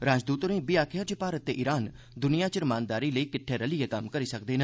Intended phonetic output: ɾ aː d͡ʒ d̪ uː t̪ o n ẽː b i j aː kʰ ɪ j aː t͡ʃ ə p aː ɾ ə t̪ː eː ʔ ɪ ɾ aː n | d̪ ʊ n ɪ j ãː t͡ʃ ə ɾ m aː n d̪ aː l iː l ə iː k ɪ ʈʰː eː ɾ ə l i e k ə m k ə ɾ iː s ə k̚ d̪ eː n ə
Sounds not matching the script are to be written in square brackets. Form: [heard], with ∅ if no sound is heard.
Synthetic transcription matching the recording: ɾ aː d͡ʒ d̪ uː t̪ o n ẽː b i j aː kʰ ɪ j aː t͡ʃ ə p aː ɾ ə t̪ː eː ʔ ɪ ɾ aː n | d̪ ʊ n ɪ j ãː t͡ʃ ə ɾ m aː n d̪ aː [ɾ] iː l ə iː k ɪ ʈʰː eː ɾ ə l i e k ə m k ə ɾ iː s ə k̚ d̪ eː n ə